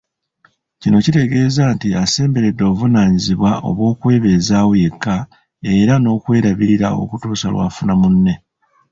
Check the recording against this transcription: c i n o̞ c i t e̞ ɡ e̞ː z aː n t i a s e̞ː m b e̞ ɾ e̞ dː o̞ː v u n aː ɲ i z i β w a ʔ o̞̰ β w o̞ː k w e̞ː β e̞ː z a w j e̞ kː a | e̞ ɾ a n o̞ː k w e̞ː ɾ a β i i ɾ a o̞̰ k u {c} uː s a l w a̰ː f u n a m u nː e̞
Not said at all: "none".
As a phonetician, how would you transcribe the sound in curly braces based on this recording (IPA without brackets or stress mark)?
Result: t